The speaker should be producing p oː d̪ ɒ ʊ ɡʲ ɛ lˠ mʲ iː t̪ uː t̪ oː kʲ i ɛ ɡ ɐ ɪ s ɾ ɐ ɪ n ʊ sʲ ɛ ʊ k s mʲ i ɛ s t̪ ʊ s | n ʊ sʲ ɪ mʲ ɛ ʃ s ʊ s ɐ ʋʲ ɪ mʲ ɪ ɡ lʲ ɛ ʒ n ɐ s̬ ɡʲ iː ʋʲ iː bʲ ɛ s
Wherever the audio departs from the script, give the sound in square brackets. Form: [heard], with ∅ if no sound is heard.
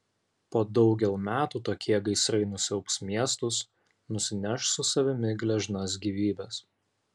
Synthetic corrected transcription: p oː d̪ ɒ ʊ ɡʲ ɛ lˠ mʲ [æː] t̪ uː t̪ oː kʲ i ɛ ɡ ɐ ɪ s ɾ ɐ ɪ n ʊ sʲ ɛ ʊ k s mʲ i ɛ s t̪ ʊ s | n ʊ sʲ ɪ [nʲ] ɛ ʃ s ʊ s ɐ ʋʲ ɪ mʲ ɪ ɡ lʲ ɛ ʒ n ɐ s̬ ɡʲ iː ʋʲ iː bʲ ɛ s